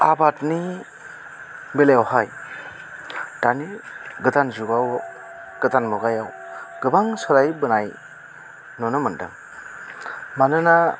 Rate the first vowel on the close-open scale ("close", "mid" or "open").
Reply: open